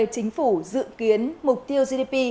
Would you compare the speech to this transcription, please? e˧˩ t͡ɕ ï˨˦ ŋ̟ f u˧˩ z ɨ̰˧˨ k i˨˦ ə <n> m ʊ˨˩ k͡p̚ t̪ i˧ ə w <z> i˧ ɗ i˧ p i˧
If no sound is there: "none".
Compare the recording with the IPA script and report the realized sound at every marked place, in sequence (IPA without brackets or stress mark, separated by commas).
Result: n, z